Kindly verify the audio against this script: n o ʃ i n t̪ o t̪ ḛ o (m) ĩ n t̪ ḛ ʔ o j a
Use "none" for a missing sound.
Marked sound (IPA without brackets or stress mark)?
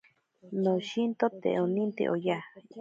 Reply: n